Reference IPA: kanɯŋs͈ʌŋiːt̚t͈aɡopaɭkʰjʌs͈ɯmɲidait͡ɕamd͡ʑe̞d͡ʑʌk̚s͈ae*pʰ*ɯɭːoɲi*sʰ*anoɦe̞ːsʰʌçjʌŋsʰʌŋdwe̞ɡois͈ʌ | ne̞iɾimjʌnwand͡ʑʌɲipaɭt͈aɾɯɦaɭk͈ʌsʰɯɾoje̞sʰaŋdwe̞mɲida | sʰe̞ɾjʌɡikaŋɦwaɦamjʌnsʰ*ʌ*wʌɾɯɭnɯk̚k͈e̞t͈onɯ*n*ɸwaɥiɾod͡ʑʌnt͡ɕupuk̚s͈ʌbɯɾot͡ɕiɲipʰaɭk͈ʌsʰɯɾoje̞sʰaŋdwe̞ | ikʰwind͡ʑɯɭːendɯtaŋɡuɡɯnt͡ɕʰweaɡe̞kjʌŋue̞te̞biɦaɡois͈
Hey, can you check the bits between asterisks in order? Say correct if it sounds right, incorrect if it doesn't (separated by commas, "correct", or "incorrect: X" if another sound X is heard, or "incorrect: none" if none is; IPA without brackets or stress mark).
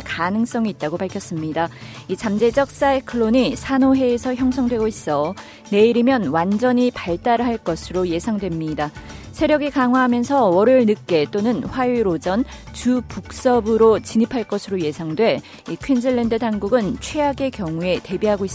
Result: incorrect: kʰ, correct, correct, correct